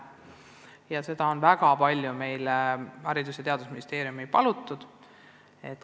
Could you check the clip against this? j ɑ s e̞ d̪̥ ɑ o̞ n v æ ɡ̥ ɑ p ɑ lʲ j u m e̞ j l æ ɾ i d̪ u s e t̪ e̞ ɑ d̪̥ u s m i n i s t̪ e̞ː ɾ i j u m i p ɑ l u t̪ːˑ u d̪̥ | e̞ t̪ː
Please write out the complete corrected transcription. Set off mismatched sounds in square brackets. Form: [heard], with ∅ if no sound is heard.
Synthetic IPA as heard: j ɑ s e̞ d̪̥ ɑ o̞ n v æ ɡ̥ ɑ p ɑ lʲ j u m e̞ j l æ ɾ i d̪ u s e t̪ e̞ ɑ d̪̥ u s m i n i s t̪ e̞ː ɾ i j u m i p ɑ l u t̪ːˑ u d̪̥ | e̞ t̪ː